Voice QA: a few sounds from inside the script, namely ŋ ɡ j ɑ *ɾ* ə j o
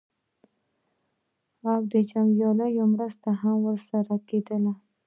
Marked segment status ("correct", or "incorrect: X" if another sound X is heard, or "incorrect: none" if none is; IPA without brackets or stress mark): incorrect: l